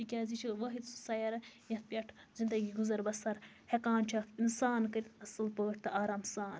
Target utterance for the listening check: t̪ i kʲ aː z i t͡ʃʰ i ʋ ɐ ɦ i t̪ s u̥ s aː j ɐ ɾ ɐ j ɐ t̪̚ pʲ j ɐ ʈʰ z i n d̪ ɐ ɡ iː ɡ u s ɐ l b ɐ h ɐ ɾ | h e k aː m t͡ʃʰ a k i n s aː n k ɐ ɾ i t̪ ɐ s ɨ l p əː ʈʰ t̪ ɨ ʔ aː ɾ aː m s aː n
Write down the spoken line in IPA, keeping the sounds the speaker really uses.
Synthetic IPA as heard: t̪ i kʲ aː z i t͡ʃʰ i ʋ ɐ ɦ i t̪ s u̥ s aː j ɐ ɾ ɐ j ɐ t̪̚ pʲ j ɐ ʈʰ z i n d̪ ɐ ɡ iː ɡ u z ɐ ɾ b ɐ s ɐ ɾ | h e k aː n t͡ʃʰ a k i n s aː n k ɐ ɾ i t̪ ɐ s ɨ l p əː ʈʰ t̪ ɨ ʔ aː ɾ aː m s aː n